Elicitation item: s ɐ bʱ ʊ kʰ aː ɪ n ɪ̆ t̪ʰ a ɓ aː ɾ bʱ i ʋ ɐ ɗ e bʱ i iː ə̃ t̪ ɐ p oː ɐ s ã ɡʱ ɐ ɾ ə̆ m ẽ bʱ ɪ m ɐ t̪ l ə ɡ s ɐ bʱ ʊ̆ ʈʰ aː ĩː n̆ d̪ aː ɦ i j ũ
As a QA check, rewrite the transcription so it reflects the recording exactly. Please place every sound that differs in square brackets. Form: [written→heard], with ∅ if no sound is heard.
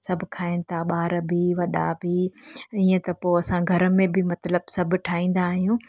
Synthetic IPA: s ɐ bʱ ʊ kʰ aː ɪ n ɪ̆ t̪ʰ a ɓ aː ɾ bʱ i ʋ ɐ ɗ [e→a] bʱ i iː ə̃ t̪ ɐ p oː ɐ s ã ɡʱ ɐ ɾ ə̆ m ẽ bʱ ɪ m ɐ t̪ l ə [ɡ→b] s ɐ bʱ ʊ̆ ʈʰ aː ĩː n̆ d̪ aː ɦ i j ũ